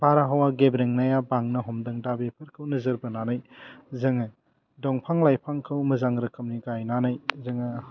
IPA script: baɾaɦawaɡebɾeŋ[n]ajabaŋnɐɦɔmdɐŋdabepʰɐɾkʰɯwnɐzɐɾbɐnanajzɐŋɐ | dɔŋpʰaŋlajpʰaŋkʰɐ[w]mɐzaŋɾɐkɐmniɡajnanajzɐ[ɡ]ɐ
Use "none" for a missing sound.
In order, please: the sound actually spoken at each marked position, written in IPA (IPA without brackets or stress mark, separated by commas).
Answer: n, w, ŋ